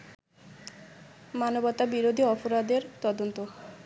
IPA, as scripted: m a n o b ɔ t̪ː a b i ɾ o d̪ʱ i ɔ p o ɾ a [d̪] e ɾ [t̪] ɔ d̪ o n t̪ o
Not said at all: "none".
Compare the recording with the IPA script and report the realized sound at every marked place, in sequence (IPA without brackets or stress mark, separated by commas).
d̪, t̪